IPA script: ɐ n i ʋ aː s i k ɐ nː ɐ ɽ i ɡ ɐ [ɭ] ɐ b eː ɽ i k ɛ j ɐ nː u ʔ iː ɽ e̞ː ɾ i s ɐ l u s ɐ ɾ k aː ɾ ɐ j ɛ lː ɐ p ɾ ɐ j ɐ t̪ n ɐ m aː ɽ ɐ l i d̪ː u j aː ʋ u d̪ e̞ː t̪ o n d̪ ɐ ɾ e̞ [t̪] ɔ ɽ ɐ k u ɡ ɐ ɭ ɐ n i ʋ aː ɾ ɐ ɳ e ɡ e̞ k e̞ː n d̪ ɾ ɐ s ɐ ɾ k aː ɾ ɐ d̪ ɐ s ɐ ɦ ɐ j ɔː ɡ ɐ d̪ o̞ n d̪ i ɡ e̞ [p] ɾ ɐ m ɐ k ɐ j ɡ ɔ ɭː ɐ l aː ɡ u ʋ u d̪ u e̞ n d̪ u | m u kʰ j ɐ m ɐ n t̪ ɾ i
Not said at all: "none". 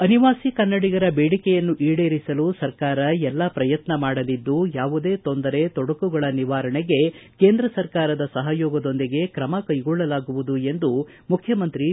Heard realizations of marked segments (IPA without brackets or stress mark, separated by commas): ɾ, t̪, k